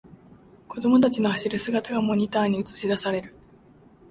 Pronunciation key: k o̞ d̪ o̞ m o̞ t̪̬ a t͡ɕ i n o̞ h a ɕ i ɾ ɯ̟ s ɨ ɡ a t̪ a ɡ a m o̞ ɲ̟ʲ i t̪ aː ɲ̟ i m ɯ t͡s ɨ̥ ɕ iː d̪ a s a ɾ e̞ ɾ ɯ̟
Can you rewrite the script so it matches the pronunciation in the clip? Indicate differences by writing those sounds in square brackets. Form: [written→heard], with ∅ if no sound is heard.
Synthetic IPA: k o̞ d̪ o̞ m o̞ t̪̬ a t͡ɕ i n o̞ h a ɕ i ɾ ɯ̟ s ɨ ɡ a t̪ a ɡ a m o̞ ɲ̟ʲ i t̪ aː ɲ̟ i [m→∅] ɯ t͡s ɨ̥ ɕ [iː→i] d̪ a s a ɾ e̞ ɾ ɯ̟